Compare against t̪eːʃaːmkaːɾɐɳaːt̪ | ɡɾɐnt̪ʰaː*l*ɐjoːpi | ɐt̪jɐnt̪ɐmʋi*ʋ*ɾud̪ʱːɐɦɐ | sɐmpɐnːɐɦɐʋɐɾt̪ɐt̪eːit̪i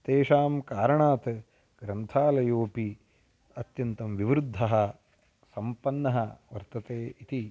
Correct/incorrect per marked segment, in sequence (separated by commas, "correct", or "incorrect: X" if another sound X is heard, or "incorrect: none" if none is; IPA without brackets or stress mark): correct, correct